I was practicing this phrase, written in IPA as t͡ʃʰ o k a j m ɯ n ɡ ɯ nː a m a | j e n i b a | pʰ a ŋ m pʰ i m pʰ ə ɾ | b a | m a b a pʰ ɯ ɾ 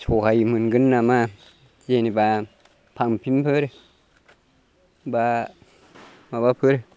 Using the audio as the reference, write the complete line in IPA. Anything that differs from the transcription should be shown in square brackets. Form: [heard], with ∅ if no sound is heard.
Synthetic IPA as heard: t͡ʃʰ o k a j m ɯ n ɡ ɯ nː a m a | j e n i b a | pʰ a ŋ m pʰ i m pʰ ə ɾ | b a | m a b a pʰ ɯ ɾ

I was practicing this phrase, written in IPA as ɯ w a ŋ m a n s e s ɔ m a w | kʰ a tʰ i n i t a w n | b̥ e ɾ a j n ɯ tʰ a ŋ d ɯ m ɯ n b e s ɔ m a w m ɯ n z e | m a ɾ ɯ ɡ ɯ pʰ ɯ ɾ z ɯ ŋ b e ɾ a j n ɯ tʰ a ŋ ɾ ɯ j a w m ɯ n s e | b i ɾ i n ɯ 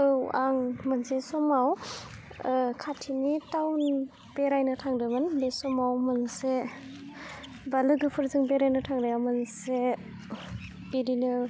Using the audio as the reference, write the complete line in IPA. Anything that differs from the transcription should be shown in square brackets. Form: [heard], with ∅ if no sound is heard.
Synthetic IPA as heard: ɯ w a ŋ m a n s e s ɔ m a w | kʰ a tʰ i n i t a w n | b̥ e ɾ a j n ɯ tʰ a ŋ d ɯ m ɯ n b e s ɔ m a w m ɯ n [s] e | [b] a [l] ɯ ɡ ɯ pʰ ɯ ɾ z ɯ ŋ b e ɾ a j n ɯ tʰ a ŋ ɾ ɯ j a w m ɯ n s e | b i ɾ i n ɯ

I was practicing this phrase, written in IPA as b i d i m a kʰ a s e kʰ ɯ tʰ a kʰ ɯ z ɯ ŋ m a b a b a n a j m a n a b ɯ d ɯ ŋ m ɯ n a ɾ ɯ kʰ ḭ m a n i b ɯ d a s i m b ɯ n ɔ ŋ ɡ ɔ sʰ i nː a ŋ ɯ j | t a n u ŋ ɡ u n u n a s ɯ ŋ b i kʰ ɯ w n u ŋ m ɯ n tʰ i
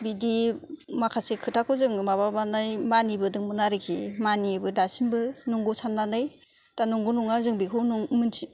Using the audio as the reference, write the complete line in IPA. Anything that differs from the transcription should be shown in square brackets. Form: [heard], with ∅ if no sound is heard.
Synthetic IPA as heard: b i d i m a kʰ a s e kʰ ɯ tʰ a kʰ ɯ z ɯ ŋ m a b a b a n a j m a n [i] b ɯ d ɯ ŋ m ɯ n a ɾ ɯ kʰ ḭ m a n i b ɯ d a s i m b ɯ n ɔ ŋ ɡ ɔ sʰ [a] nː a [n] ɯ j | t a n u ŋ ɡ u n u [ŋ] a [z] ɯ ŋ b i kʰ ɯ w n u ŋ m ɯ n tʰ i

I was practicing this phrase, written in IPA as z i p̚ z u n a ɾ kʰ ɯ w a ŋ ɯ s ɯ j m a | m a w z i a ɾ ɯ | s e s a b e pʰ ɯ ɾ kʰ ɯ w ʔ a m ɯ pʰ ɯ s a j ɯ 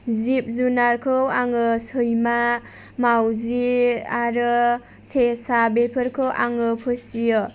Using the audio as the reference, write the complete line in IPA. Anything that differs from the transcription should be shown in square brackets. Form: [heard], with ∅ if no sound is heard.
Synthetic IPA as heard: z i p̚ z u n a ɾ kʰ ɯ w a ŋ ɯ s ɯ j m a | m a w z i a ɾ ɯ | s e s a b e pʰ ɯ ɾ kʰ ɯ w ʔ a [ŋ] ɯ pʰ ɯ s [i] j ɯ

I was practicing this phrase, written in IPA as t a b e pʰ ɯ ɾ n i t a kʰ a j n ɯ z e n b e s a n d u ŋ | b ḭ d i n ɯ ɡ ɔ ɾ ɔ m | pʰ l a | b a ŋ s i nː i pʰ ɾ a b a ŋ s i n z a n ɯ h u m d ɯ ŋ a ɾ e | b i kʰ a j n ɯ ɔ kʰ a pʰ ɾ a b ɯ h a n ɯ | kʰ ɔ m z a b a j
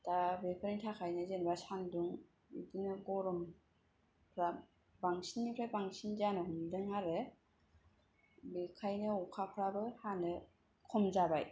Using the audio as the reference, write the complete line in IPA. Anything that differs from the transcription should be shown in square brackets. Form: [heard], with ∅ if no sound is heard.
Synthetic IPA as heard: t a b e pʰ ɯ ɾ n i [tʰ] a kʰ a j n ɯ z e n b [a] s a n d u ŋ | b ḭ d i n ɯ ɡ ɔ ɾ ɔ m | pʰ [ɾ] a | b a ŋ s i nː i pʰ ɾ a b a ŋ s i n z a n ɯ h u m d ɯ ŋ a ɾ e | b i kʰ a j n ɯ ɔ kʰ a pʰ ɾ a b ɯ h a n ɯ | kʰ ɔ m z a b a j

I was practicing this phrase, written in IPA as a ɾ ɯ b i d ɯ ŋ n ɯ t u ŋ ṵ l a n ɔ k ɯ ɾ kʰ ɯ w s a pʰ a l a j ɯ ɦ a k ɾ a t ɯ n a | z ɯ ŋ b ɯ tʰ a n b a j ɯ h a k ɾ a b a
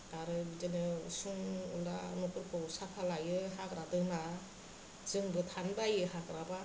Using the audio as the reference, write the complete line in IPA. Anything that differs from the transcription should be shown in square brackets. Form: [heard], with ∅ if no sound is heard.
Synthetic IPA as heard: a ɾ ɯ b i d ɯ [∅] n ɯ [s] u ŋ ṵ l a n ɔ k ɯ ɾ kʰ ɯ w s a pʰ a l a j ɯ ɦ a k ɾ a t ɯ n a | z ɯ ŋ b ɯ tʰ a n b a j ɯ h a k ɾ a b a

